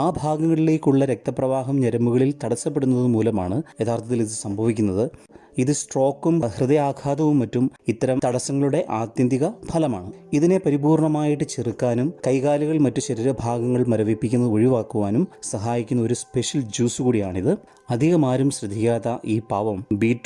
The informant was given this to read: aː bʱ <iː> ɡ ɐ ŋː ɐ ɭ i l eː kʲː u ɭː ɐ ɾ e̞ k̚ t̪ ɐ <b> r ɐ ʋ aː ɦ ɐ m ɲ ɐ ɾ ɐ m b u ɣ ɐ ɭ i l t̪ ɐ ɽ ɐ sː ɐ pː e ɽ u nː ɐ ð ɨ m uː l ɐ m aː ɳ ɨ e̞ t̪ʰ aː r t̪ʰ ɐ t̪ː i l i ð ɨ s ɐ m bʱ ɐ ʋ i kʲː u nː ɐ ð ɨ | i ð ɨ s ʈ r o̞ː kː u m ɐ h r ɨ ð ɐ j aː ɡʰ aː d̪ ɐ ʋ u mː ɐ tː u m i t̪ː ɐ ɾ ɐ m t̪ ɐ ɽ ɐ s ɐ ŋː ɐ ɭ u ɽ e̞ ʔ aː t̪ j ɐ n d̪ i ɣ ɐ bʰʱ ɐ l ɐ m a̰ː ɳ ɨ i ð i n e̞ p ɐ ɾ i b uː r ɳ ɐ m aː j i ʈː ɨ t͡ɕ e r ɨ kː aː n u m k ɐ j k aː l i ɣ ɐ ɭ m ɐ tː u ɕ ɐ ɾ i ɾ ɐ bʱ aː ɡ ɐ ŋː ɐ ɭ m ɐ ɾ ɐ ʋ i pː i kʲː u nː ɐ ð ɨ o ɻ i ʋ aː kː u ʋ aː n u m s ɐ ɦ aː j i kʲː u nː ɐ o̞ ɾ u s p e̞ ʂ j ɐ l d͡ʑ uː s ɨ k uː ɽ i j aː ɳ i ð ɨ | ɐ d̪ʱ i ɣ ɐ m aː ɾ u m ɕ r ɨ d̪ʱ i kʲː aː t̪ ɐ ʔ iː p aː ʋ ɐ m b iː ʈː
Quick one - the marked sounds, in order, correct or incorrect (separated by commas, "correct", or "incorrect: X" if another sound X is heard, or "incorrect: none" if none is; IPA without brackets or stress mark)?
incorrect: aː, incorrect: p